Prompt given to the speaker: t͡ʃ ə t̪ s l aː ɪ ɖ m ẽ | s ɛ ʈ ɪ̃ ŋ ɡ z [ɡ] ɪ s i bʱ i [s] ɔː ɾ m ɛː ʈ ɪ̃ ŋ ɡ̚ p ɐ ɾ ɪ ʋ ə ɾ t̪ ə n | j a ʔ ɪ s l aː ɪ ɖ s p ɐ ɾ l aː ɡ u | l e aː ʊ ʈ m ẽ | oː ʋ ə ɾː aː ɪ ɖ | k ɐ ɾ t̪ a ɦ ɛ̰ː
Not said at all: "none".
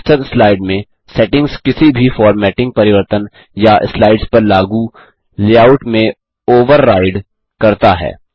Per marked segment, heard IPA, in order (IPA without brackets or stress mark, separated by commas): k, f